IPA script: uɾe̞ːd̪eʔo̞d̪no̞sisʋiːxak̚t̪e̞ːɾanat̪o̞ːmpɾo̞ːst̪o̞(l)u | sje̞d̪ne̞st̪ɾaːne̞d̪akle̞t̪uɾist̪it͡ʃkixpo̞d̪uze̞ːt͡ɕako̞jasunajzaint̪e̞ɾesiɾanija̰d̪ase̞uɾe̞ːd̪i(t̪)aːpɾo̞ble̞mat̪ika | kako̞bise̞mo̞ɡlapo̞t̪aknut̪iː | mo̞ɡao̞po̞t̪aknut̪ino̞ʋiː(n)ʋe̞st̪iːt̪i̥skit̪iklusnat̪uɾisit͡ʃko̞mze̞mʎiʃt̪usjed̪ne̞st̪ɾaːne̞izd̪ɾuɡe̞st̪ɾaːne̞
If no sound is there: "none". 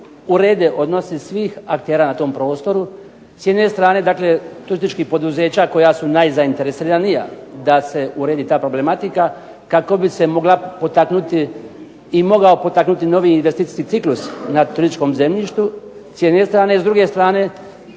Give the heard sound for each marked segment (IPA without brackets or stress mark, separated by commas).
ɾ, t̪, n